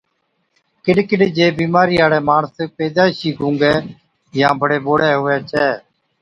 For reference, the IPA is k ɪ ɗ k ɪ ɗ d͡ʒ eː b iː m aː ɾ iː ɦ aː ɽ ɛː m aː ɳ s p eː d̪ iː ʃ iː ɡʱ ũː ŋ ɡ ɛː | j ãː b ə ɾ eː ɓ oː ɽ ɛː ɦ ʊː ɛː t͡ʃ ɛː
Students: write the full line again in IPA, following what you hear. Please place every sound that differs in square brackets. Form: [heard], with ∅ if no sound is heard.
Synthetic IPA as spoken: k ɪ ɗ k ɪ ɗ d͡ʒ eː b iː m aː ɾ iː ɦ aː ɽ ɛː m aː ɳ s p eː d̪ [aː] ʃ iː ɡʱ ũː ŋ ɡ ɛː | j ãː b ə [ɽ] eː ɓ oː ɽ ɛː ɦ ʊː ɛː t͡ʃ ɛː